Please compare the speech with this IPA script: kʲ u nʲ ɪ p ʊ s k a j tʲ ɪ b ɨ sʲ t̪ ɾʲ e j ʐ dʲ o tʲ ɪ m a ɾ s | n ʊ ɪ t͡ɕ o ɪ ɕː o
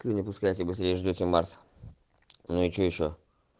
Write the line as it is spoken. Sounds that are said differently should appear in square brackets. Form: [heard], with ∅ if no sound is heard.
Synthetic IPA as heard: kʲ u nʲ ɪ p ʊ s k a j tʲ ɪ b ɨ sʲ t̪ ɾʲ e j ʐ dʲ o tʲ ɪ m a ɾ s | n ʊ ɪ t͡ɕ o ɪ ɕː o